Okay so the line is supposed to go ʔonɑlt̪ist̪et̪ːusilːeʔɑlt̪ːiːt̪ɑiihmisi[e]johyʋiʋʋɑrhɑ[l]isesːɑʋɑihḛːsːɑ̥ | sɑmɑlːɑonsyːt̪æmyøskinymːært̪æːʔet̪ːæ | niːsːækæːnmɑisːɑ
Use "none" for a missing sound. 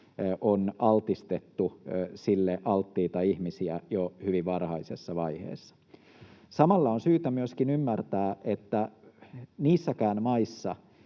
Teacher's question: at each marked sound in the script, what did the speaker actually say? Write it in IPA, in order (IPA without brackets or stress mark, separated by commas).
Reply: æ, none